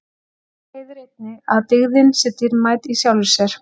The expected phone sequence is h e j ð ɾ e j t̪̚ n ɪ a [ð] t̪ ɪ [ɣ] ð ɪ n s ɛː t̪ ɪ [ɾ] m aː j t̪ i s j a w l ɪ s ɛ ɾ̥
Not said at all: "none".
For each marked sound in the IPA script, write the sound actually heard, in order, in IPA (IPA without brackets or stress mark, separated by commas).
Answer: ð, ɣ, ɾ